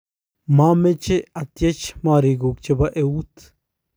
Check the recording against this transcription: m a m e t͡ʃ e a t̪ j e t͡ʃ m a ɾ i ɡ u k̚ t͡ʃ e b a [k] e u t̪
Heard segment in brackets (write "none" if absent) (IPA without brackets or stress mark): ʔ